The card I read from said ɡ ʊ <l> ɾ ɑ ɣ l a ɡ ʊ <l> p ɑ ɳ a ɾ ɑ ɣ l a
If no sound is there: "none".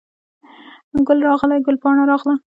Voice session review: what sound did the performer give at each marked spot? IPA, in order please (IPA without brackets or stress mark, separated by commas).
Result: l, l